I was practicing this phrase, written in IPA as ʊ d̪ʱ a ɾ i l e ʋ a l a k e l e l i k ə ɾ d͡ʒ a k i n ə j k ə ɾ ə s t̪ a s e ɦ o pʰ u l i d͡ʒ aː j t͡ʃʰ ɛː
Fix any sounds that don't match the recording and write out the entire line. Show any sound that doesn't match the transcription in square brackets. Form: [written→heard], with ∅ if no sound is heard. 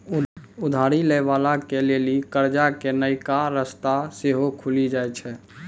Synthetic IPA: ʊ d̪ʱ a ɾ i l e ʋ a l a k e l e l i k ə ɾ d͡ʒ a k [i→e] n ə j k [ə→a] ɾ ə s t̪ a s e ɦ o [pʰ→kʰ] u l i d͡ʒ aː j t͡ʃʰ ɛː

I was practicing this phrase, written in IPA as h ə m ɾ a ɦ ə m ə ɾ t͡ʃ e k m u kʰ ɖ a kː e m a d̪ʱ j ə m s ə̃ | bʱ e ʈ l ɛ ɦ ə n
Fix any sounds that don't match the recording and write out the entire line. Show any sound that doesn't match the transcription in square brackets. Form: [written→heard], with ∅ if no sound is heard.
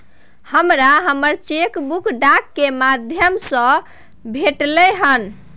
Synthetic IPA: h ə m ɾ a ɦ ə m ə ɾ t͡ʃ e k [m→b] u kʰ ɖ a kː e m a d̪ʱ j ə m s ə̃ | bʱ e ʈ l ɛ ɦ ə n

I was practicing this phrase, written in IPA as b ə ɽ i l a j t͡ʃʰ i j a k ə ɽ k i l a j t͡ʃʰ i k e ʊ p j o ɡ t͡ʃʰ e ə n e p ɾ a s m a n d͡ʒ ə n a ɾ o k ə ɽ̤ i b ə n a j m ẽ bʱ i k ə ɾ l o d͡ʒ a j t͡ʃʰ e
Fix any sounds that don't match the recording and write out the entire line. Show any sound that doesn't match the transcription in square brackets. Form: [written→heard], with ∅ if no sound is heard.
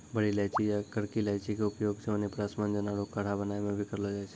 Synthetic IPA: b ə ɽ i l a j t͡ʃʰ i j a k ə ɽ k i l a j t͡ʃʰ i k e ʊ p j o ɡ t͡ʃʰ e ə n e p ɾ a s m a n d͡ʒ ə n a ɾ o k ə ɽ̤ [i→a] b ə n a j m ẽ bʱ i k ə ɾ l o d͡ʒ a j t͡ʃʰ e

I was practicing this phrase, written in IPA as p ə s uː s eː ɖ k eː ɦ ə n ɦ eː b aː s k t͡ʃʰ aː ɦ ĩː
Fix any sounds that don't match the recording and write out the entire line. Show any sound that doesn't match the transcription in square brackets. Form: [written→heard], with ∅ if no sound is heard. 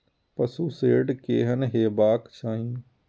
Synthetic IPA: p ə s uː s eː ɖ k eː ɦ ə n ɦ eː b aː [s→∅] k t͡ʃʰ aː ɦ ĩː

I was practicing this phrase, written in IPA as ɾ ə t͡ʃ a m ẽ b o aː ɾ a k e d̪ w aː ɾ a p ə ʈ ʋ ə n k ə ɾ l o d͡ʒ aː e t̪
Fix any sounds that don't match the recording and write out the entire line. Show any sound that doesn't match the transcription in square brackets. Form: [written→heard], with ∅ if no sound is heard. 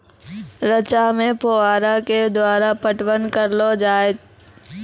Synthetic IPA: ɾ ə t͡ʃ a m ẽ [b→p] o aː ɾ a k e d̪ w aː ɾ a p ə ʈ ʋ ə n k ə ɾ l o d͡ʒ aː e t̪

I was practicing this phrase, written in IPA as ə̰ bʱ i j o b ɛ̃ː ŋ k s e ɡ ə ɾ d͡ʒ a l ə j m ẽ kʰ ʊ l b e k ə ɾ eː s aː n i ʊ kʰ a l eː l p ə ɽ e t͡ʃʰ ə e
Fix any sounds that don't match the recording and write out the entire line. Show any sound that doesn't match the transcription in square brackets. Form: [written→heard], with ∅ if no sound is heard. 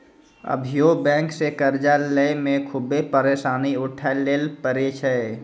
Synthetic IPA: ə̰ bʱ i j o b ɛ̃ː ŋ k s e [ɡ→k] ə ɾ d͡ʒ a l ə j m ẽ kʰ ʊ [l→∅] b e [k→p] ə ɾ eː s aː n i ʊ [kʰ→ʈʰ] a l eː l p ə [ɽ→ɾ] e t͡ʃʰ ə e

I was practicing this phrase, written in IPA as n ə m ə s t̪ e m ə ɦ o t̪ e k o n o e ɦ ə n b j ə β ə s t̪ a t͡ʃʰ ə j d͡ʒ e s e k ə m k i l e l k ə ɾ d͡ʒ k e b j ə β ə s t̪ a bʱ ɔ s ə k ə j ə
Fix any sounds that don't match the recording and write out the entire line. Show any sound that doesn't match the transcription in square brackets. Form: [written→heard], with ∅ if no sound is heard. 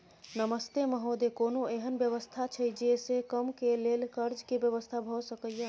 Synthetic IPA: n ə m ə s t̪ e m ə ɦ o [t̪→d̪] e k o n o e ɦ ə n b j ə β ə s [t̪→t̪ʰ] a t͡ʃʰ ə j d͡ʒ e s e k ə m k [i→e] l e l k ə ɾ d͡ʒ k e b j ə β ə s [t̪→t̪ʰ] a bʱ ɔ s ə k ə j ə

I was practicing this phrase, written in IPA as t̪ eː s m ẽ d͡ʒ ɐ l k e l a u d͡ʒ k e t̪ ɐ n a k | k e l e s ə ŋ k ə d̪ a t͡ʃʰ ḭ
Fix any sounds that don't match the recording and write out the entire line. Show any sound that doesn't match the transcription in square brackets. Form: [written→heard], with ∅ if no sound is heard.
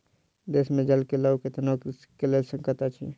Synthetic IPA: [t̪→d̪] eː s m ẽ d͡ʒ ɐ l k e l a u [d͡ʒ→∅] k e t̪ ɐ n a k | k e l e s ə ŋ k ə [d̪→t̪] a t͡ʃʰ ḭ

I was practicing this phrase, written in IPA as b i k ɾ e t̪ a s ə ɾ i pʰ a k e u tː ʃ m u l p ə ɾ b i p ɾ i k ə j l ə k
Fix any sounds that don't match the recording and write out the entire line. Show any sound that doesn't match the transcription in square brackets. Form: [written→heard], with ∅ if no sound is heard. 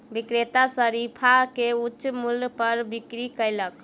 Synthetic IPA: b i k ɾ e t̪ a s ə ɾ i pʰ a k e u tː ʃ m u l p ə ɾ b i [p→k] ɾ i k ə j l ə k

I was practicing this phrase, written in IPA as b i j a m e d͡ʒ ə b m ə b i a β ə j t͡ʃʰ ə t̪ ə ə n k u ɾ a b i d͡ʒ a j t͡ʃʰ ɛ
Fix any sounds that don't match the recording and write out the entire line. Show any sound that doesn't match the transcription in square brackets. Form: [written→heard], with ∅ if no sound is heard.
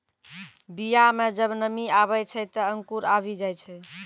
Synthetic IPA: b i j a m e d͡ʒ ə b [m→n] ə [b→m] i a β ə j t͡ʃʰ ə t̪ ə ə [n→ŋ] k u ɾ a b i d͡ʒ a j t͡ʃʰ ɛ

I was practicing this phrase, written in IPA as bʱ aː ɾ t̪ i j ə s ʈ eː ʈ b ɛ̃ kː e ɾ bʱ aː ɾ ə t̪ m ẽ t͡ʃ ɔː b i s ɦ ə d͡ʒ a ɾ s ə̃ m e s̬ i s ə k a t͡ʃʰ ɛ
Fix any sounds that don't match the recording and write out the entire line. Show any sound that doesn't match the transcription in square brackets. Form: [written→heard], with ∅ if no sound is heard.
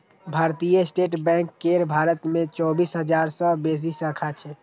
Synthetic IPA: bʱ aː ɾ t̪ i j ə s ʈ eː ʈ b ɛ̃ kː e ɾ bʱ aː ɾ ə t̪ m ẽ t͡ʃ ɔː b i s ɦ ə d͡ʒ a ɾ s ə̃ [m→b] e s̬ i s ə [k→kʰ] a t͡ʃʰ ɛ

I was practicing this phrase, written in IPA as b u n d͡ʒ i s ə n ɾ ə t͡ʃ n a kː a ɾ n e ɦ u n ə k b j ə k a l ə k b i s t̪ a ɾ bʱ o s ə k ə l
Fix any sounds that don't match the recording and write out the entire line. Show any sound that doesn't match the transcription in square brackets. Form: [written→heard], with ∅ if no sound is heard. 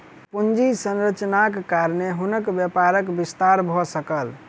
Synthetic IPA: [b→p] u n d͡ʒ i s ə n ɾ ə t͡ʃ n a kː a ɾ n e ɦ u n ə k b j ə [k→p] a [l→ɾ] ə k b i s t̪ a ɾ bʱ [o→ɔ] s ə k ə l

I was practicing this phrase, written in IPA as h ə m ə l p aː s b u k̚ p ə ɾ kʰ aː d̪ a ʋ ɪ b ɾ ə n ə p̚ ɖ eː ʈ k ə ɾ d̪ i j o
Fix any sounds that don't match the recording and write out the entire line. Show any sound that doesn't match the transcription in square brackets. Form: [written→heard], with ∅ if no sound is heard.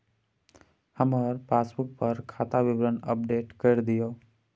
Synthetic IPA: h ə m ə [l→ɾ] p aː s b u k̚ p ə ɾ kʰ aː [d̪→t̪] a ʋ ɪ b ɾ ə n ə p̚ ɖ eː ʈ k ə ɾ d̪ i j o

